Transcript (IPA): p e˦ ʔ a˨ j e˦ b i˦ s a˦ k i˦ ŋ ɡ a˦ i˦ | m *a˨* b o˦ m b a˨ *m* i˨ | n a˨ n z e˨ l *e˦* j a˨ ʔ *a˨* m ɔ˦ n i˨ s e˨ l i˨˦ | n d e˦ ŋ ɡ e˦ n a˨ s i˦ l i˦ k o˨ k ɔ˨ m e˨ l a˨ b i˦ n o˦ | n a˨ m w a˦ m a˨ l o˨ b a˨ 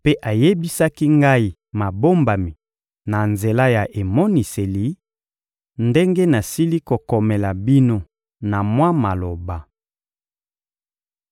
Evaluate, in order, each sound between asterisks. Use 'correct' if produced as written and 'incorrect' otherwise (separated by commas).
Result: correct, correct, incorrect, incorrect